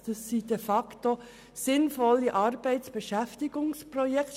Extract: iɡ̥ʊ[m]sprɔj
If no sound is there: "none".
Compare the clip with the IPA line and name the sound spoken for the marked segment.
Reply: ŋ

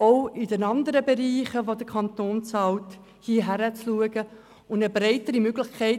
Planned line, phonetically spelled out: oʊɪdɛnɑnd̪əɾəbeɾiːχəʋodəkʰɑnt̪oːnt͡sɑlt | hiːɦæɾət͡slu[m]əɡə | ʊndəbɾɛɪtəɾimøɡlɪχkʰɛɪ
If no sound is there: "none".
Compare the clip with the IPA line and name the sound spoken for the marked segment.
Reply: none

